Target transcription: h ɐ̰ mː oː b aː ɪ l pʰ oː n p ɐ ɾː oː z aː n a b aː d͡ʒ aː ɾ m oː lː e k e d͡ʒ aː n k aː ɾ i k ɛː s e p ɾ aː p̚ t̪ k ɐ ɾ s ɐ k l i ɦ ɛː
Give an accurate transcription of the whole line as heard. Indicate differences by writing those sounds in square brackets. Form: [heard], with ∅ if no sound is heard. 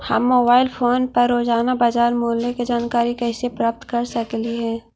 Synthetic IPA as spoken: h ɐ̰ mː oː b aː ɪ l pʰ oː n p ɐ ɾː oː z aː n a b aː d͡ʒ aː ɾ m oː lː e k e d͡ʒ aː n k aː ɾ i k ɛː s e p ɾ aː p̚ t̪ k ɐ ɾ s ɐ k l i ɦ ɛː